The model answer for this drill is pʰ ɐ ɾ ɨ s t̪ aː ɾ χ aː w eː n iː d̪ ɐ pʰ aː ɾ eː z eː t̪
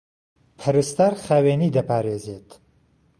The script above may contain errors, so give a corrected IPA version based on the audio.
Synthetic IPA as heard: pʰ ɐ ɾ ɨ s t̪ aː ɾ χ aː w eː n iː d̪ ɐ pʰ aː ɾ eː z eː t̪